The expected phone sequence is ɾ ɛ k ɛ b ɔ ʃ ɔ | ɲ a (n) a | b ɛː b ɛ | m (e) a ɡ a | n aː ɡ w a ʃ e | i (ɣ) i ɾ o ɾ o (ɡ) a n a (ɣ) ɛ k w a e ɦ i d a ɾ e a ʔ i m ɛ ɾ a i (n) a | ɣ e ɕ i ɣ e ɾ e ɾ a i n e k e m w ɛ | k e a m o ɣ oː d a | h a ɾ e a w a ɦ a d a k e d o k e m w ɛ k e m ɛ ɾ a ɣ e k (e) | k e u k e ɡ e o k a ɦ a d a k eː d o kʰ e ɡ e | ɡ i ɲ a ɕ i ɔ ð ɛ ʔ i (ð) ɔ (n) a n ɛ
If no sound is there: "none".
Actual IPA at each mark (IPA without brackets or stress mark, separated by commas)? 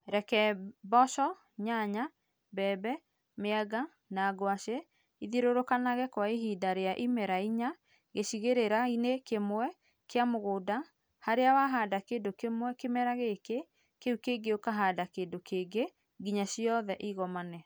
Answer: ɲ, e, ð, k, ɣ, ɲ, e, ɣ, m